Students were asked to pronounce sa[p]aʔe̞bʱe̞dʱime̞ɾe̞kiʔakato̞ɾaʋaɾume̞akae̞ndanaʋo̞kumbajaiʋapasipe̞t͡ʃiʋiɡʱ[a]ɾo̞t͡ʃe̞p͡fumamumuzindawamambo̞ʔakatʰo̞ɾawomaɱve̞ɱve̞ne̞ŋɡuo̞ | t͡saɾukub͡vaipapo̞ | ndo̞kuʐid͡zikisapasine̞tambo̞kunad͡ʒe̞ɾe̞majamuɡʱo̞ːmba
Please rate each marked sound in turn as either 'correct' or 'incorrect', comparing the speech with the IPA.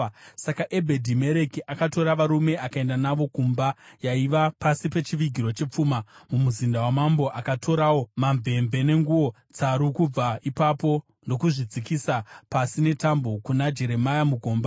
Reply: incorrect: k, incorrect: i

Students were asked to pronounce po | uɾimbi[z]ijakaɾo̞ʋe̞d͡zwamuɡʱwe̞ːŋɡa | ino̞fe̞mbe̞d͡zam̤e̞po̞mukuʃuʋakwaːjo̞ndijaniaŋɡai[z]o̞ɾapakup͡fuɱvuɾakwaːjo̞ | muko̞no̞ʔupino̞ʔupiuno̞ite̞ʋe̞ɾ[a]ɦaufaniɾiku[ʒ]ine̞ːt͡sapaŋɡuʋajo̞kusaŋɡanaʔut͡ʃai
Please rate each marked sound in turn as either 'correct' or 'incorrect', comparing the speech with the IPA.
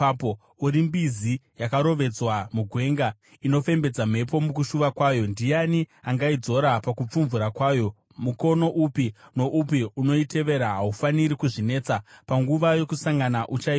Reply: correct, incorrect: d͡z, correct, incorrect: ʐ

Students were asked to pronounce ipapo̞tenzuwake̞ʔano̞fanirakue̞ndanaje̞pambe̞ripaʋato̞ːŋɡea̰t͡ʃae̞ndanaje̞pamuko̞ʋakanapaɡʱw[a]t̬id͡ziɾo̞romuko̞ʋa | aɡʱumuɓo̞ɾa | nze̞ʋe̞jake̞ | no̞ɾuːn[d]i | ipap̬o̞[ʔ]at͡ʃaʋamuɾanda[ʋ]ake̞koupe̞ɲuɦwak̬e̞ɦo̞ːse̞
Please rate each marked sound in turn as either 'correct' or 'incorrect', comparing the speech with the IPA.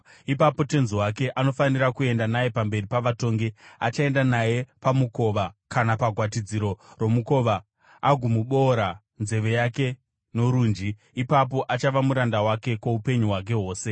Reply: correct, incorrect: d͡ʒ, correct, incorrect: w

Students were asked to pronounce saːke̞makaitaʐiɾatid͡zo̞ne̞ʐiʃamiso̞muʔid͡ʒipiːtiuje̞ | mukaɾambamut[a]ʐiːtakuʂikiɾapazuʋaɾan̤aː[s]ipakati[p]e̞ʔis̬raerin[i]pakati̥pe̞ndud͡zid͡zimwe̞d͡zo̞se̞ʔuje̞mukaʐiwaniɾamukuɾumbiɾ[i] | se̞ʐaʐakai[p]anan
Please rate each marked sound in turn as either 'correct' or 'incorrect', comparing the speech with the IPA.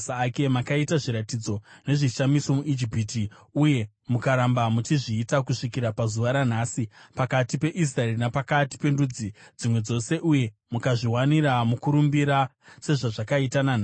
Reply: incorrect: i, correct, correct, incorrect: a, incorrect: a, incorrect: t

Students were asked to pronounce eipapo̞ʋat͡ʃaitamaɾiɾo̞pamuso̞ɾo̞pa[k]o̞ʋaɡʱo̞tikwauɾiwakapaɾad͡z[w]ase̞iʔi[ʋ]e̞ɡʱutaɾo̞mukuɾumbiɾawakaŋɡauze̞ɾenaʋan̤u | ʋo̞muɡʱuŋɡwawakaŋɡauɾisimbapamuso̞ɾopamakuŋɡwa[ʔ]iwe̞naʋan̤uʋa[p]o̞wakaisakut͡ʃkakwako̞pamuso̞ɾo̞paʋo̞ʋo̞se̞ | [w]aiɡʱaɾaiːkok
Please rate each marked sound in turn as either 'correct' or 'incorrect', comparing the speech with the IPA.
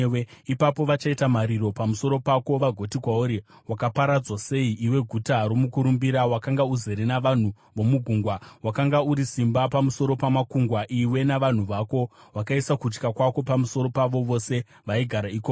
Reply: correct, correct, incorrect: w, correct, incorrect: k, incorrect: ʋ

